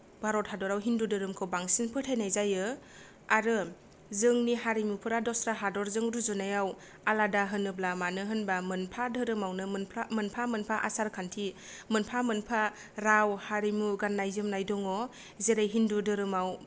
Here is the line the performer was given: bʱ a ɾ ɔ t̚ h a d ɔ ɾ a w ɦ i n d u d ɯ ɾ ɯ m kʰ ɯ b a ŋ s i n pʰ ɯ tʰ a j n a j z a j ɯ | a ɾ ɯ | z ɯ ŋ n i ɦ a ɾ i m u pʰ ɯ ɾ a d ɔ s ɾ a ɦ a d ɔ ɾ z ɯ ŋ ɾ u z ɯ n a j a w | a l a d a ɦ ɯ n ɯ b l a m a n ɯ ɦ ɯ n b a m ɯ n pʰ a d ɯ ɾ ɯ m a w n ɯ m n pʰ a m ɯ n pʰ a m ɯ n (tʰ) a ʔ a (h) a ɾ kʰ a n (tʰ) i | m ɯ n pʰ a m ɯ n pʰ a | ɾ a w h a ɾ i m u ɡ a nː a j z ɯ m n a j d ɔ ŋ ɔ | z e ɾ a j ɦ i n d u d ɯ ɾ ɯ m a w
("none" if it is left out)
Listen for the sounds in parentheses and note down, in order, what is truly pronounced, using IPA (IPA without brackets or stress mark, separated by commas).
pʰ, s, tʰ